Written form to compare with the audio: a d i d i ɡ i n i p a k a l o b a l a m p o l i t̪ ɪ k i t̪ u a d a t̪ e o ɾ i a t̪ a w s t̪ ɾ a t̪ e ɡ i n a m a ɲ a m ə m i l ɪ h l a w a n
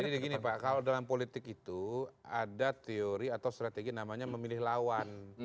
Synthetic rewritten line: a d i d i ɡ i n i p a k a l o d a l a m p o l i t̪ ɪ k i t̪ u a d a t̪ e o ɾ i a t̪ a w s t̪ ɾ a t̪ e ɡ i n a m a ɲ a m ə m i l ɪ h l a w a n